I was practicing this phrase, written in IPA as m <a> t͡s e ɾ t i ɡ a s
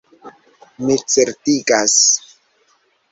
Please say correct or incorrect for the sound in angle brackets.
incorrect